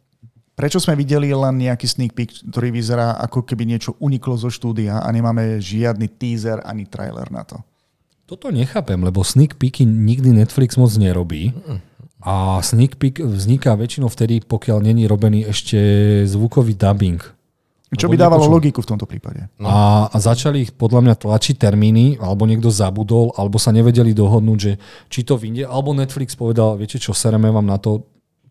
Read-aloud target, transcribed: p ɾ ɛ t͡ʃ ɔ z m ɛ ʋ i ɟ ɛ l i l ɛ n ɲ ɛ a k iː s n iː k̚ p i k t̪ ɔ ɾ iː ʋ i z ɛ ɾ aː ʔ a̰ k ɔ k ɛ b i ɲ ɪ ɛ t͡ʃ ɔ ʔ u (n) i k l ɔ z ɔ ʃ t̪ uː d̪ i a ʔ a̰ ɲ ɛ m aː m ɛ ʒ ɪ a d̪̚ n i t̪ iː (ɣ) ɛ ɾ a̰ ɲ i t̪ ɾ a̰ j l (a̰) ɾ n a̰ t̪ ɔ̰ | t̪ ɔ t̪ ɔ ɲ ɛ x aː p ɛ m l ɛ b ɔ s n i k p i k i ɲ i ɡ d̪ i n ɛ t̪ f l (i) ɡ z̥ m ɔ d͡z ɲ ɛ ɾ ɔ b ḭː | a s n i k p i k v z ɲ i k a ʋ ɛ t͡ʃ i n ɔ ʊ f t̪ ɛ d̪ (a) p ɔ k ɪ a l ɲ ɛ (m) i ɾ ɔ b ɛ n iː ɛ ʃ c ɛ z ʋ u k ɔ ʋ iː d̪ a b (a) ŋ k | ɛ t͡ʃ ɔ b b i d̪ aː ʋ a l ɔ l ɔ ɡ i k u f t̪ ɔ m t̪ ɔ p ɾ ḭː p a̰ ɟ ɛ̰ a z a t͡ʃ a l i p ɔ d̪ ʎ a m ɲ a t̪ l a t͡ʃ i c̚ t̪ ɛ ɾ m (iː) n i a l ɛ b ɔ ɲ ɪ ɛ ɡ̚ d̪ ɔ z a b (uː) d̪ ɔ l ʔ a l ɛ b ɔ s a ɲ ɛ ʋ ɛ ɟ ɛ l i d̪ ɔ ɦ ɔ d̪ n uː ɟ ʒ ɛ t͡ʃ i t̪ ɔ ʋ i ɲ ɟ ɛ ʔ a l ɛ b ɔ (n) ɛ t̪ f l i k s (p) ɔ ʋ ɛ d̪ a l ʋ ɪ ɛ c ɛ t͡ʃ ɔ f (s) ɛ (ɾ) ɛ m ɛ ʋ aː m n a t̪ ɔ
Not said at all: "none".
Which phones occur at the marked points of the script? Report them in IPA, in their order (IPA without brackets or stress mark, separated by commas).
ɲ, z, ɛ̰, i, i, ɲ, i, iː, u, n, p, s, ɾ